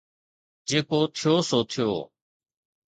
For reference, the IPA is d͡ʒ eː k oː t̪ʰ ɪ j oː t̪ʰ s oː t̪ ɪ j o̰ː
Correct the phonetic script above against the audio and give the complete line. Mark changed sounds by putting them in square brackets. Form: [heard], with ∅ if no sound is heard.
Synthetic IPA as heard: d͡ʒ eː k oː t̪ʰ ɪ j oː [∅] s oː [t̪ʰ] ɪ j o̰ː